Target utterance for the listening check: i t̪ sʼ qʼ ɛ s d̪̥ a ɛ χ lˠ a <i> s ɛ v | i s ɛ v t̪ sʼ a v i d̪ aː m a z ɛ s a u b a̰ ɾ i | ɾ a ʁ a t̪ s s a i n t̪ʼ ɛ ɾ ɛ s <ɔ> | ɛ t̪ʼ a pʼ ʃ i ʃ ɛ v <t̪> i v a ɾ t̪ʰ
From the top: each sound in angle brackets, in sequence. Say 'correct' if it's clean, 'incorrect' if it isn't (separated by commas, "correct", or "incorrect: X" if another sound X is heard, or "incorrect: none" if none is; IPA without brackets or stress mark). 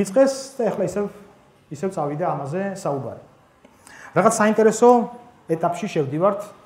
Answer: correct, correct, incorrect: d̪